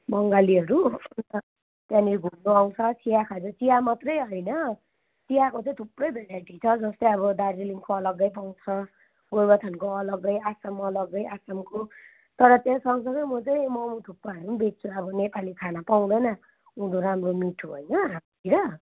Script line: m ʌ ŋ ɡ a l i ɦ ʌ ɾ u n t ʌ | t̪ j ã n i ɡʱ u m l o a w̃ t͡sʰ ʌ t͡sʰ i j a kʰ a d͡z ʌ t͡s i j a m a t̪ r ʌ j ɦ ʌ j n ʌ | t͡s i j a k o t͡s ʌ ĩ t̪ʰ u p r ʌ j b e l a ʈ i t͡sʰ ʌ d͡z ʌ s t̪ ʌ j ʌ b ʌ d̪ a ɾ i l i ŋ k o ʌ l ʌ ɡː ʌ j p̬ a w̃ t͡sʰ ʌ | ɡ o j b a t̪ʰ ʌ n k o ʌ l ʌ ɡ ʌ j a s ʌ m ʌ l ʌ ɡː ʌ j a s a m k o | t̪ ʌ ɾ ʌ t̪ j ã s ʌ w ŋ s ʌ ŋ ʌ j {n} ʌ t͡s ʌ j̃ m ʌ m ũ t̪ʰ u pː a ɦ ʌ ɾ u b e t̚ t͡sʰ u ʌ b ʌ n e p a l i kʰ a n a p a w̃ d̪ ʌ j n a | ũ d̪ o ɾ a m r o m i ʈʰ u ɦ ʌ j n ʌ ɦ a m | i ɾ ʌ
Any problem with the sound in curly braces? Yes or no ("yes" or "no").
yes